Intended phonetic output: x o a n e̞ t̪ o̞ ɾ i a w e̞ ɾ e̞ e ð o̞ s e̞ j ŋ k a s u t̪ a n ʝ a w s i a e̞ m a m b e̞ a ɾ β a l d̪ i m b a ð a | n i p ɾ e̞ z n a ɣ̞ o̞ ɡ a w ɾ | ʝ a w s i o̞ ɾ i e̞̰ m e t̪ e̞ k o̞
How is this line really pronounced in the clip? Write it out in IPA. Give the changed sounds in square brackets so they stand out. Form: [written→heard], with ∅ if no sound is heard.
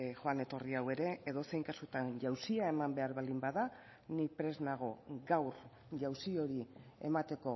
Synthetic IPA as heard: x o a n e̞ t̪ o̞ [ɾ→r] i a w e̞ ɾ e̞ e ð o̞ s e̞ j ŋ k a s u t̪ a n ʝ a w s i a e̞ m a m b e̞ a ɾ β a l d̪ i m b a ð a | n i p ɾ e̞ z n a ɣ̞ o̞ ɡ a w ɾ | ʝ a w s i o̞ ɾ i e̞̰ m [e→a] t̪ e̞ k o̞